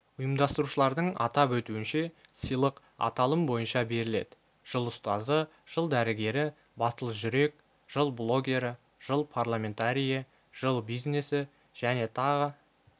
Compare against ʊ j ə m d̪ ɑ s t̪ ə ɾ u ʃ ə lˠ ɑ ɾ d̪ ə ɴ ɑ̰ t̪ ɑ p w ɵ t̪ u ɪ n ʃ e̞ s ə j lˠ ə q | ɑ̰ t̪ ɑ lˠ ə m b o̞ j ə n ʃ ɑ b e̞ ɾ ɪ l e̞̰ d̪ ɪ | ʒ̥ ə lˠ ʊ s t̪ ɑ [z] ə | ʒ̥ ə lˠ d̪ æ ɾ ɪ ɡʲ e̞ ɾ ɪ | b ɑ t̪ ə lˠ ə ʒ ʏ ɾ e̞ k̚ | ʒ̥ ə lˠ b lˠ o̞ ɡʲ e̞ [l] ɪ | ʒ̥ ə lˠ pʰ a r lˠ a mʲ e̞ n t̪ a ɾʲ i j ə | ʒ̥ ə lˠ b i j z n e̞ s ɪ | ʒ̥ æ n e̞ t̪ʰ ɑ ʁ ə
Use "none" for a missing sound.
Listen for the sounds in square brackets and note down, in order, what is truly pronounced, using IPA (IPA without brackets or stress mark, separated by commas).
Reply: z, ɾ